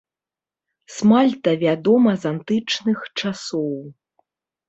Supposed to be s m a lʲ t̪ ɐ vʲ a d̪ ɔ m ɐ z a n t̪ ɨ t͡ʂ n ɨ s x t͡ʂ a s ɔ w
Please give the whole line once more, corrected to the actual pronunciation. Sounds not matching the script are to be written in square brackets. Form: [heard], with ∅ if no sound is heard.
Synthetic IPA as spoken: s m a lʲ t̪ ɐ vʲ a d̪ ɔ m ɐ z a n t̪ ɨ t͡ʂ n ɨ [∅] x t͡ʂ a s ɔ w